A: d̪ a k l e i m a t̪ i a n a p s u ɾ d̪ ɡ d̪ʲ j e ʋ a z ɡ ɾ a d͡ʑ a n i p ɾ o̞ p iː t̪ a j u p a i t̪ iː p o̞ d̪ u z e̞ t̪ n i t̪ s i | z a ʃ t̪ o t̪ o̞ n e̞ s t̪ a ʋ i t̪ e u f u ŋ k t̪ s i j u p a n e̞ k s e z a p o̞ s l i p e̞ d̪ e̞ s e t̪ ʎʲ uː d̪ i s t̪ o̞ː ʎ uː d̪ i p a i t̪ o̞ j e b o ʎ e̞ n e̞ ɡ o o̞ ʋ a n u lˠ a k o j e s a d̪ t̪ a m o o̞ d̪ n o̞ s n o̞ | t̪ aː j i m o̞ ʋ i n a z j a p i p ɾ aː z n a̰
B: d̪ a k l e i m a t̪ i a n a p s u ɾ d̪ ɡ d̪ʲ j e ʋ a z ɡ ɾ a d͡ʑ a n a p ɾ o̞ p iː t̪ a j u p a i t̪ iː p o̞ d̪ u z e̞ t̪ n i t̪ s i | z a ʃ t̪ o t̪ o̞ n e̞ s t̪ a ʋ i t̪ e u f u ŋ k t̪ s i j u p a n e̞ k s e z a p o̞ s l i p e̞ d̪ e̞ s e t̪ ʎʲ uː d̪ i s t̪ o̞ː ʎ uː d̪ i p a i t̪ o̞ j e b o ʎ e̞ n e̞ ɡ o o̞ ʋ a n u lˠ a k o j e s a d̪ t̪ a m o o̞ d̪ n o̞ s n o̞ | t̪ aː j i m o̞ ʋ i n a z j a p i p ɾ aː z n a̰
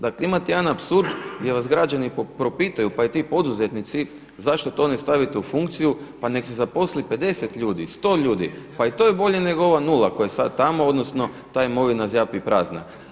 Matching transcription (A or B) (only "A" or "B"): A